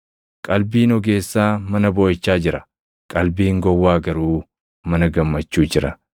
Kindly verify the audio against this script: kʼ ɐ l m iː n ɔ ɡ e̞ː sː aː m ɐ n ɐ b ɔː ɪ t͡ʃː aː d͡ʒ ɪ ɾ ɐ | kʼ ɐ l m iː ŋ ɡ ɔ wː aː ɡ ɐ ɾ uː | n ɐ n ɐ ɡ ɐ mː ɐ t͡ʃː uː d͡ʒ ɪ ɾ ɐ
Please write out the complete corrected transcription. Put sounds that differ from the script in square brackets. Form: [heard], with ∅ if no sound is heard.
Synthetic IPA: kʼ ɐ l [b] iː n ɔ ɡ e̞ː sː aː m ɐ n ɐ b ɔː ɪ t͡ʃː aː d͡ʒ ɪ ɾ ɐ | kʼ ɐ l [b] iː ŋ ɡ ɔ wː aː ɡ ɐ ɾ uː | [m] ɐ n ɐ ɡ ɐ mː ɐ t͡ʃː uː d͡ʒ ɪ ɾ ɐ